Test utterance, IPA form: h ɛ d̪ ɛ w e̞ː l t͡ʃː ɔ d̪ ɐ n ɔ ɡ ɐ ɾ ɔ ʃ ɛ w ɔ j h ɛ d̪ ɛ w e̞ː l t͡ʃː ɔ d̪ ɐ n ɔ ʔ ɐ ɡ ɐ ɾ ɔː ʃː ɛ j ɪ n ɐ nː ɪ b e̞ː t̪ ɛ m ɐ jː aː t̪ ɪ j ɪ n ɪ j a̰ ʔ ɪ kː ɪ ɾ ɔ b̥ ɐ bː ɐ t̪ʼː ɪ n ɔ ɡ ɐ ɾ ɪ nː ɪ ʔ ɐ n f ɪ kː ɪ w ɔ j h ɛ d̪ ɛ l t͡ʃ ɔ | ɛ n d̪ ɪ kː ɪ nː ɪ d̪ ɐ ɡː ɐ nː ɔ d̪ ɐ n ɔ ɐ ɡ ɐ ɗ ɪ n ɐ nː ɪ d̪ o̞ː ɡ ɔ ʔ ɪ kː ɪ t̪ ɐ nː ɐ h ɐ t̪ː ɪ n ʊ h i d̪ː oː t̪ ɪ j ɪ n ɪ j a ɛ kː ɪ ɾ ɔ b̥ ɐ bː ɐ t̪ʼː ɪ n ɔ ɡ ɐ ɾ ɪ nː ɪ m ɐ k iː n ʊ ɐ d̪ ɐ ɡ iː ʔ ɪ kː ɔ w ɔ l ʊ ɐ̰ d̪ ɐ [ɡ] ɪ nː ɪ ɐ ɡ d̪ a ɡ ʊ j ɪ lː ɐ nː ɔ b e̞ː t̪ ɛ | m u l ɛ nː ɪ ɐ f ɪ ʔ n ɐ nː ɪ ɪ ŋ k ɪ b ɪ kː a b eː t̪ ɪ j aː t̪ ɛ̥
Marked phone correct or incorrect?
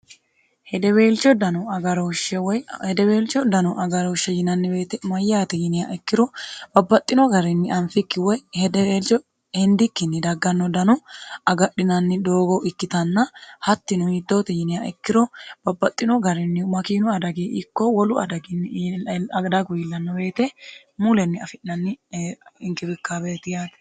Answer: correct